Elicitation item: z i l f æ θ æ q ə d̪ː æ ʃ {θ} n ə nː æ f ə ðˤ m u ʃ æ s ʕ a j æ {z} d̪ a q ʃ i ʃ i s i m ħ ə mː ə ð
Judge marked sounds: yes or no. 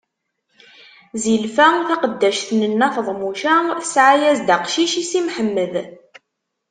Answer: yes, yes

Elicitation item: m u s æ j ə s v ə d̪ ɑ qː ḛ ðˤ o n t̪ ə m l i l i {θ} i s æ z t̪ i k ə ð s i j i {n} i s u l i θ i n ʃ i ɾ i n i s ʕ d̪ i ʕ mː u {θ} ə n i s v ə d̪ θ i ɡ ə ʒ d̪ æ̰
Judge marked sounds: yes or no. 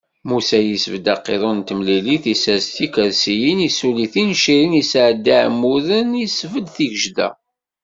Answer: yes, yes, no

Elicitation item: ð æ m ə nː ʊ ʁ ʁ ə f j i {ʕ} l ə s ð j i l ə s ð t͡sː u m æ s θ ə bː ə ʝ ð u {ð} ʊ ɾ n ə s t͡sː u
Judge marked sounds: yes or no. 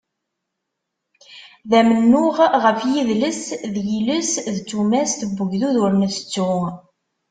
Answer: no, yes

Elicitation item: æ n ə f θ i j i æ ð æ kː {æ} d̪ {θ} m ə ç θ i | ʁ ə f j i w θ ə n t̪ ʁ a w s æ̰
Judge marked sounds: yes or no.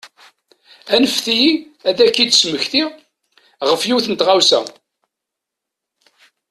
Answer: no, no

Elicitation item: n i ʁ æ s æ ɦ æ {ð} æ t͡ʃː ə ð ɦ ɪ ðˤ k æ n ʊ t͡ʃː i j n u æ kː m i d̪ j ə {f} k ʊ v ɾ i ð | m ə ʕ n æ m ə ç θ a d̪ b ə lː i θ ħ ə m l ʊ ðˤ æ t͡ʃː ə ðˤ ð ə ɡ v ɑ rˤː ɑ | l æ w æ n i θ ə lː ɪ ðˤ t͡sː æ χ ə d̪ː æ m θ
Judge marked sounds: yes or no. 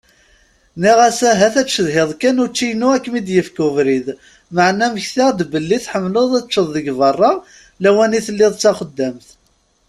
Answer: no, yes

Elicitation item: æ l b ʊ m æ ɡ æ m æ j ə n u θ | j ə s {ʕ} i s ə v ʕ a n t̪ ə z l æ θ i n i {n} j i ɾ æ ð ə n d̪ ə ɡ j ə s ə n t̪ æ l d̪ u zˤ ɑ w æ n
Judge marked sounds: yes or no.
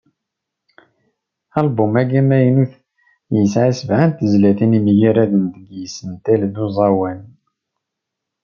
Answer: yes, no

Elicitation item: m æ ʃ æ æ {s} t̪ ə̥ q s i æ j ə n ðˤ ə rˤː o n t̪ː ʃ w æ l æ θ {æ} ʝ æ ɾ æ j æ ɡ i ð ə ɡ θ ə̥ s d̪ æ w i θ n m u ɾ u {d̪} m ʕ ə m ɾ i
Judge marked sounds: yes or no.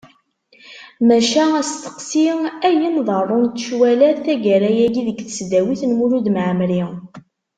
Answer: yes, yes, yes

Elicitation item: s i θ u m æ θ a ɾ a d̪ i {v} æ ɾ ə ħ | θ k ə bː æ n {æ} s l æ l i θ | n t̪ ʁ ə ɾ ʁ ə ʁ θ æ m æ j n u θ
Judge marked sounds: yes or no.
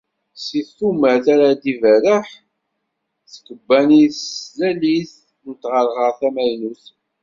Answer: yes, no

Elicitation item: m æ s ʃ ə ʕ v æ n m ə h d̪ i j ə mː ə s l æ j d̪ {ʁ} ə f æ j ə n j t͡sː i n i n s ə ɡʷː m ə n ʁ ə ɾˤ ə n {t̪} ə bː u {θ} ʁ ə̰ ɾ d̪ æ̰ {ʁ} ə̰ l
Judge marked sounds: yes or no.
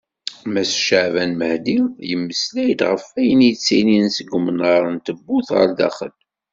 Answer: yes, yes, yes, no

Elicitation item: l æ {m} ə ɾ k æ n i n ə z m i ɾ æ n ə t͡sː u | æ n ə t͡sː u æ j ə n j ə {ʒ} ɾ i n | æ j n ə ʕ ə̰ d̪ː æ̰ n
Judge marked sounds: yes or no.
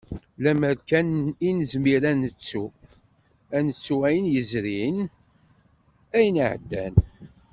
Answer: yes, no

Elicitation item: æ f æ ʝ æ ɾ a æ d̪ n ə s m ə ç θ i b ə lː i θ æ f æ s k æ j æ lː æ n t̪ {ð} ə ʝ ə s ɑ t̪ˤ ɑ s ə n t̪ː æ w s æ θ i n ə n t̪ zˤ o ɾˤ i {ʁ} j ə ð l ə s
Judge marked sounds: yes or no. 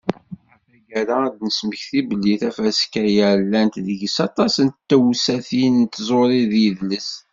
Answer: yes, no

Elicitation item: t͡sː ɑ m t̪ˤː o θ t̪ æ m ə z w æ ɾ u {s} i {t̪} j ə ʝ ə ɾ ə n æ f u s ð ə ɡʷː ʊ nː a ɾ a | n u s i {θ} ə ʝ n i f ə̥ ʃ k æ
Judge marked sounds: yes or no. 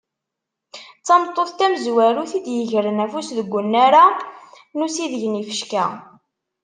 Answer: no, no, no

